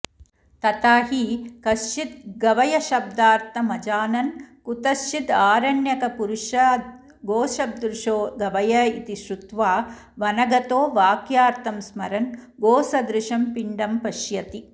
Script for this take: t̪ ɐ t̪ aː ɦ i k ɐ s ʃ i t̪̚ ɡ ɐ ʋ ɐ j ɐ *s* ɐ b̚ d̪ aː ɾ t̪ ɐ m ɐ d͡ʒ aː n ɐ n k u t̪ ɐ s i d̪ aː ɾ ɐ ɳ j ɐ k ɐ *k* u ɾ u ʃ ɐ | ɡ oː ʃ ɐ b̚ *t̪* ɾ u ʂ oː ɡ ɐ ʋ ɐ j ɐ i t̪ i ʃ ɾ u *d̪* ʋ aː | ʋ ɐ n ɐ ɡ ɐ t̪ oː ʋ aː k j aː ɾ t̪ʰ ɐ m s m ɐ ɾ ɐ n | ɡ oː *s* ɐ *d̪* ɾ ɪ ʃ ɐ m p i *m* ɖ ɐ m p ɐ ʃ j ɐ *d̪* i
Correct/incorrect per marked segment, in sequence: incorrect: ʃ, incorrect: p, incorrect: d̪, incorrect: t̪, correct, correct, incorrect: ɳ, incorrect: t̪

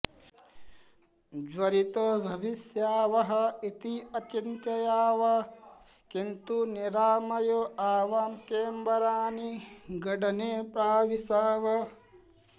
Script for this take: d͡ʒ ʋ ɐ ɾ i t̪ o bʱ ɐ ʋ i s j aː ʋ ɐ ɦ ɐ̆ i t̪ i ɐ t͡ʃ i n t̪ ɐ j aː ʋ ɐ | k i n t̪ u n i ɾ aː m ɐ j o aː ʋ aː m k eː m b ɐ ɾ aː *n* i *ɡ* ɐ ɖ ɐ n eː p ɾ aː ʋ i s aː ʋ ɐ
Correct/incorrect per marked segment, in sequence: correct, correct

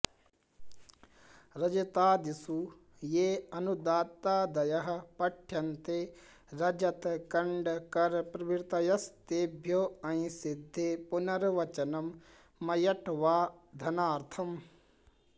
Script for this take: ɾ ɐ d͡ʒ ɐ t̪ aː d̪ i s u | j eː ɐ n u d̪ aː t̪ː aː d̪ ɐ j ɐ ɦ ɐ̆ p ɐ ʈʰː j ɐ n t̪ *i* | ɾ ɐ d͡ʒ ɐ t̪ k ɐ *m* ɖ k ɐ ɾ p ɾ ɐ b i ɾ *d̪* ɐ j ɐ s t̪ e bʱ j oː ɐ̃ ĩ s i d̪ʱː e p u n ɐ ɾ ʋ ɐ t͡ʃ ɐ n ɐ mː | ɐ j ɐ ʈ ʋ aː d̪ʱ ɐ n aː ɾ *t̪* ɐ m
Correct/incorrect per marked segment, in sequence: incorrect: e, incorrect: ɳ, incorrect: t̪, incorrect: t̪ʰ

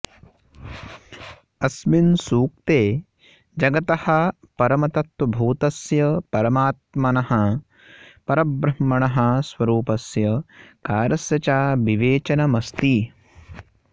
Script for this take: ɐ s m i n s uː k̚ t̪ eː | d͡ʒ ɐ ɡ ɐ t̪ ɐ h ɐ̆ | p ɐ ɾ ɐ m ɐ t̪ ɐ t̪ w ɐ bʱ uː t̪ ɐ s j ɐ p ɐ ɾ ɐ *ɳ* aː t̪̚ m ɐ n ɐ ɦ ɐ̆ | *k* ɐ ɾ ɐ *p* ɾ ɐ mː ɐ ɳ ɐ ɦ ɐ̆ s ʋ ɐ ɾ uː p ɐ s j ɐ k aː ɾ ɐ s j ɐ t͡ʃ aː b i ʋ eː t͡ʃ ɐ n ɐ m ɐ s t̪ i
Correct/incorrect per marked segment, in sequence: incorrect: m, incorrect: p, incorrect: b

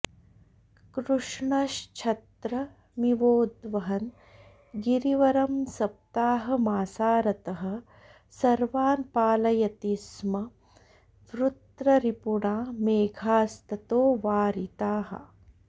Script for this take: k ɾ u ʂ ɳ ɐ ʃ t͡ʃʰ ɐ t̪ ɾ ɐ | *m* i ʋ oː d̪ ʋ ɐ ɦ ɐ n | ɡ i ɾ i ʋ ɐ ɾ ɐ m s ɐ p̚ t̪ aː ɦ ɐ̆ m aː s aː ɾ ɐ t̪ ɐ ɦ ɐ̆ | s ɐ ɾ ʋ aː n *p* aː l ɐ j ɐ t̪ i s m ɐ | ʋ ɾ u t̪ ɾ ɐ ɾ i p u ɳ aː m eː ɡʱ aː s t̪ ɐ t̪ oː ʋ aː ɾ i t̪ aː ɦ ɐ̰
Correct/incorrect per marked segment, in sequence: correct, correct

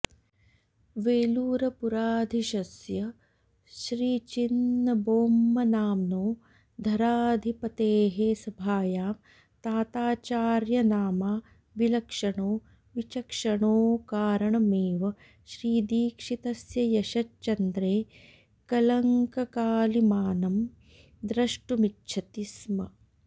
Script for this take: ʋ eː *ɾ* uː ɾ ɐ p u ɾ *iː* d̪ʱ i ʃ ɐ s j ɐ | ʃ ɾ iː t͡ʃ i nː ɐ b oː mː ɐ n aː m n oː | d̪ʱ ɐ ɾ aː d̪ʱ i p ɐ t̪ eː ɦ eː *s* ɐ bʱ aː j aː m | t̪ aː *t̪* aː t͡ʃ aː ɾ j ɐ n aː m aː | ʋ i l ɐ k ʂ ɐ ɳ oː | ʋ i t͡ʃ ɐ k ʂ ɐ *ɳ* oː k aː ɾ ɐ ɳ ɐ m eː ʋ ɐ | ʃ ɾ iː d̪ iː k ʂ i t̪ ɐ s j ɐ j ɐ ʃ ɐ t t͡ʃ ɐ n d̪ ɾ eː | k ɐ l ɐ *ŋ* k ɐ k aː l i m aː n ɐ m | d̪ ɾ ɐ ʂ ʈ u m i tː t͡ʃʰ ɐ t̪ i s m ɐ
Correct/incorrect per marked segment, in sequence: incorrect: l, incorrect: aː, correct, correct, correct, correct

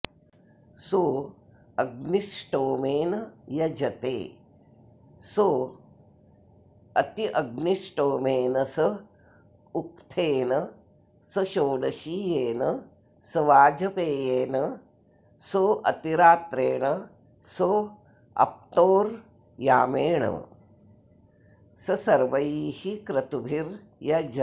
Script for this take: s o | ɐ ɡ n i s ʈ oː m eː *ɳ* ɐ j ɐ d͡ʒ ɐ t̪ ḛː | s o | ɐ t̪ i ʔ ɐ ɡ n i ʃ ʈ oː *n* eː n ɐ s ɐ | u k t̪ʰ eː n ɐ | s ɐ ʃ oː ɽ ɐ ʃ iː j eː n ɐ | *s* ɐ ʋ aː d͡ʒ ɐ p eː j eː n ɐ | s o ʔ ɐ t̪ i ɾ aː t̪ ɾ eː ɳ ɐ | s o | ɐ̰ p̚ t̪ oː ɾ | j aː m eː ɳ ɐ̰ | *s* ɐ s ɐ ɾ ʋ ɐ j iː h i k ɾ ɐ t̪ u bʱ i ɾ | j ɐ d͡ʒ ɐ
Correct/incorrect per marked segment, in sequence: incorrect: n, incorrect: m, correct, correct

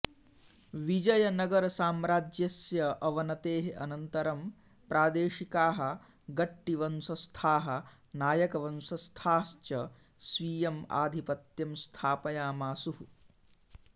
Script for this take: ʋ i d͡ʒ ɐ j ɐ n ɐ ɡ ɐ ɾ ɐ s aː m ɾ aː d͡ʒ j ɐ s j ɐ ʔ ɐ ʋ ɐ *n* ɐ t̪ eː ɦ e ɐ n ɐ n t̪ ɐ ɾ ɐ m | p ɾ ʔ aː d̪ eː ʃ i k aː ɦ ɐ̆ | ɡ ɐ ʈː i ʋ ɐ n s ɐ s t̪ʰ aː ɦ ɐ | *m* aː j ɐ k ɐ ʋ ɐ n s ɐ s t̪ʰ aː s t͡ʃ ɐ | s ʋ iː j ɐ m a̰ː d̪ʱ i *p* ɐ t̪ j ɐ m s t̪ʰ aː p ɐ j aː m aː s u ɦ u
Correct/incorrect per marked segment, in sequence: correct, incorrect: n, correct

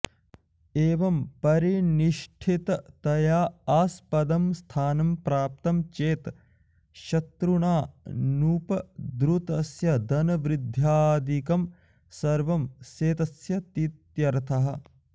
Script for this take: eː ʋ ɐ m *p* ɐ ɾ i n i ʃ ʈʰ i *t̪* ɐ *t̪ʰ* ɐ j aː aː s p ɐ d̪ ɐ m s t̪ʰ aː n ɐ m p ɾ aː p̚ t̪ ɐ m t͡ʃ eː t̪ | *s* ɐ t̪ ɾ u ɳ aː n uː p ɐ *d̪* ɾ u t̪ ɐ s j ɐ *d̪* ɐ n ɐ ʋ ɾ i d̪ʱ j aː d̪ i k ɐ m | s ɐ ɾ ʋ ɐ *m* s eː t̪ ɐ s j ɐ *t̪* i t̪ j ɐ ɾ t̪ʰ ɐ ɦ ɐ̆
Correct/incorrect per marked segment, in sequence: correct, correct, incorrect: t̪, incorrect: ʃ, correct, correct, correct, correct

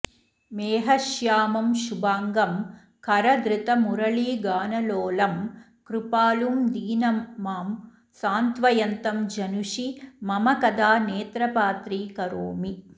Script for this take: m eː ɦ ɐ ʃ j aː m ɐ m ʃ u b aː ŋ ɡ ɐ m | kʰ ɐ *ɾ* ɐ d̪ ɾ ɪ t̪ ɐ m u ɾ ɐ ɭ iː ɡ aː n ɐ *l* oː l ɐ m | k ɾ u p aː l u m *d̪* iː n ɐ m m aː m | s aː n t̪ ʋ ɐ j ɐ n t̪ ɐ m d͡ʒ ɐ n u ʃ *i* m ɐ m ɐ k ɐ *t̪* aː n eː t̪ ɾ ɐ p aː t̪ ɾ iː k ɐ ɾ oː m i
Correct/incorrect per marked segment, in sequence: correct, correct, correct, correct, incorrect: d̪

